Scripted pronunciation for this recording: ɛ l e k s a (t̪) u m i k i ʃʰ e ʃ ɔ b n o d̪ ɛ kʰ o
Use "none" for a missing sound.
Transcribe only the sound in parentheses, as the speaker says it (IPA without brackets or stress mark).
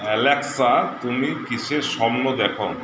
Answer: t̪